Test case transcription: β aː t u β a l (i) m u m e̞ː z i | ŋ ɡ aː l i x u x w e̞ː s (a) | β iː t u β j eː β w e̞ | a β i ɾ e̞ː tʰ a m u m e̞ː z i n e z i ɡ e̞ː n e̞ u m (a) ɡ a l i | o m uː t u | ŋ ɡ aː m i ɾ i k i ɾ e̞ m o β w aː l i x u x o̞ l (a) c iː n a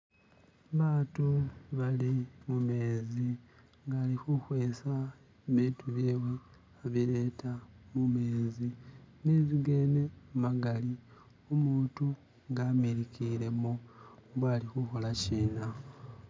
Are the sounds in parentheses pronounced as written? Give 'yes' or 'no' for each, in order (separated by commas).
yes, yes, yes, yes